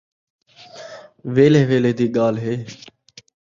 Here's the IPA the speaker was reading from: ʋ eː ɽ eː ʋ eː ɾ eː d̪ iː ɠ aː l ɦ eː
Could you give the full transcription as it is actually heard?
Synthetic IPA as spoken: ʋ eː l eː ʋ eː l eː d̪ iː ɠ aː l ɦ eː

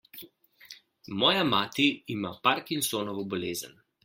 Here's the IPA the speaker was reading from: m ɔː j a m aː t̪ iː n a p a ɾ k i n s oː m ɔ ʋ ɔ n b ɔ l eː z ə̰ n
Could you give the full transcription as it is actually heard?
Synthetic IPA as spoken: m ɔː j a m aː t̪ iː m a p a ɾ k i n s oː n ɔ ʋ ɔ b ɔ l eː z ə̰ n

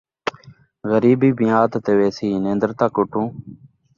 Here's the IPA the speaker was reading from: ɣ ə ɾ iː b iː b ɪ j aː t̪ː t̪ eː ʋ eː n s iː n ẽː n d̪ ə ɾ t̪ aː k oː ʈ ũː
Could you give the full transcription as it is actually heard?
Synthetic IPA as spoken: ɣ ə ɾ iː b iː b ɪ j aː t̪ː t̪ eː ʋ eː s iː n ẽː n d̪ ə ɾ t̪ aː k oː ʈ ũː

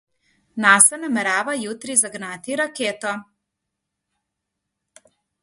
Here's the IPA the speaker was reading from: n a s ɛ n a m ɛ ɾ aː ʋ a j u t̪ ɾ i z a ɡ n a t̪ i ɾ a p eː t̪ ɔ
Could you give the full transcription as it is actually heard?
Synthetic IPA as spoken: n a s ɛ n a m ɛ ɾ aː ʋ a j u t̪ ɾ i z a ɡ n a t̪ i ɾ a k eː t̪ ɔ

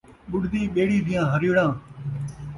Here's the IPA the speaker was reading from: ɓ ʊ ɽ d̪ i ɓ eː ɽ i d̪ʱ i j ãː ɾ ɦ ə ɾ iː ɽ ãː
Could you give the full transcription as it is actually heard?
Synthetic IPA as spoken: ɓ ʊ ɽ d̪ iː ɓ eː ɽ iː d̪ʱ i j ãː ɦ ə ɾ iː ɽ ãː

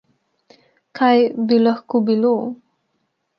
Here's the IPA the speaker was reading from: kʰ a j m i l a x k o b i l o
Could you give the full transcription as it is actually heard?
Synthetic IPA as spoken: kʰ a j b i l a x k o b i l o

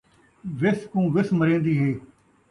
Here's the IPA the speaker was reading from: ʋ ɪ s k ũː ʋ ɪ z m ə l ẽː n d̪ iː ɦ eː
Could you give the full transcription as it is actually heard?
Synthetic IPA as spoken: ʋ ɪ s k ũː ʋ ɪ s m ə ɾ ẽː n d̪ iː ɦ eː

